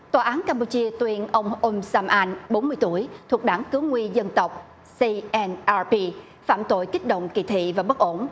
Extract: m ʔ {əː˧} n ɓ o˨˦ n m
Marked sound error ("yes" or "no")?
yes